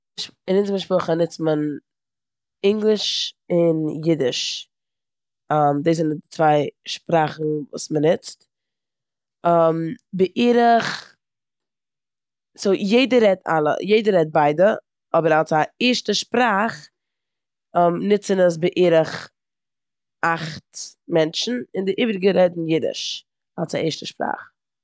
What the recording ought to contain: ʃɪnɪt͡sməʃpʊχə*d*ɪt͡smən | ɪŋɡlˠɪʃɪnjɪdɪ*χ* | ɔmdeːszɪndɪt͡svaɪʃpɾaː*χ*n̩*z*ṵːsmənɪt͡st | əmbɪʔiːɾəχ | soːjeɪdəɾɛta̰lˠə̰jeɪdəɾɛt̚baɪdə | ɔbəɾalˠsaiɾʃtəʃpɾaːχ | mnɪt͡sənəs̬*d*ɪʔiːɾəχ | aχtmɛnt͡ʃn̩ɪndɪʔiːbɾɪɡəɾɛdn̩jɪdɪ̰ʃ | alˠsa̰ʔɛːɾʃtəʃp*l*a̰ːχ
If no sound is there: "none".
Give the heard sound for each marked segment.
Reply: n, ʃ, χ, v, b, ɾ

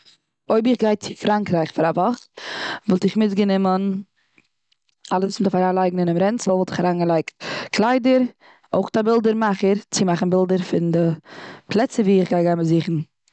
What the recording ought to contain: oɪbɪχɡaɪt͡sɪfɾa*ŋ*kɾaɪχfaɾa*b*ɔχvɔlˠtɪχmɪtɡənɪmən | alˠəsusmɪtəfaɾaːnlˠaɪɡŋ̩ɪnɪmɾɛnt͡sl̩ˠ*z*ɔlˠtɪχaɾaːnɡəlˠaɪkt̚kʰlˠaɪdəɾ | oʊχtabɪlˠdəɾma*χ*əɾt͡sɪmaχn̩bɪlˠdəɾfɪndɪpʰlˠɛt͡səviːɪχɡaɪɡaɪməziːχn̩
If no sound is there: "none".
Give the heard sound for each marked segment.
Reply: ŋ, v, v, χ

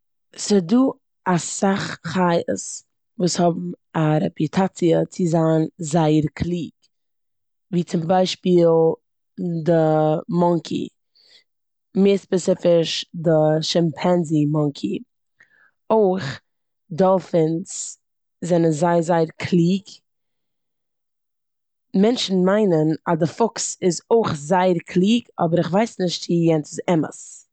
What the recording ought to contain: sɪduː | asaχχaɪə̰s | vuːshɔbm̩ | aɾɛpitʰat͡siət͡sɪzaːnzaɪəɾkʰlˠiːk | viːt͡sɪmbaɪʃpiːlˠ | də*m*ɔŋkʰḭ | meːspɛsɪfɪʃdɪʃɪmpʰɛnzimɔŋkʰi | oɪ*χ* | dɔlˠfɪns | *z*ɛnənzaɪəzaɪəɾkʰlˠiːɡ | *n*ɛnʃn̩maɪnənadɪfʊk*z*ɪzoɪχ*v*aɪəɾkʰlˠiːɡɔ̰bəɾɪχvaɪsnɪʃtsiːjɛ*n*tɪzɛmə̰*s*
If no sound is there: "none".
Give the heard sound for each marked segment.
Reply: m, χ, z, m, s, z, n, s

